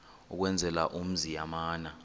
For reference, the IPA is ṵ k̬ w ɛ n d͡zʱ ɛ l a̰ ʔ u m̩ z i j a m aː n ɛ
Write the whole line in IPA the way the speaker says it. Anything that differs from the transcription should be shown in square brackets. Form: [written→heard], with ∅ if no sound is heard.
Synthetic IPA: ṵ k̬ w ɛ n d͡zʱ ɛ l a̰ ʔ u m̩ z i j a m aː n [ɛ→a]